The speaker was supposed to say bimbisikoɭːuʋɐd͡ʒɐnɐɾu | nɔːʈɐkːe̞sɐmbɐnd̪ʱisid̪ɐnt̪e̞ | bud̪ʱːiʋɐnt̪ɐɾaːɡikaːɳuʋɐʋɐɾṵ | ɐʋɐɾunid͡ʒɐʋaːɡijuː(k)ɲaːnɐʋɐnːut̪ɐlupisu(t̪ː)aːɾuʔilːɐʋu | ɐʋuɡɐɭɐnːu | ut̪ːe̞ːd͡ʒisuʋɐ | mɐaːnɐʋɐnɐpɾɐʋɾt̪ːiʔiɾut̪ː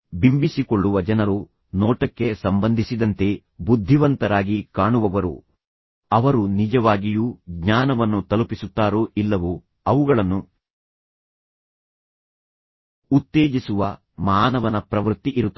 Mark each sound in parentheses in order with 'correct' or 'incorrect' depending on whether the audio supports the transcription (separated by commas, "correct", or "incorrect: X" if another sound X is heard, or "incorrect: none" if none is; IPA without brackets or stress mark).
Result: incorrect: ɡ, correct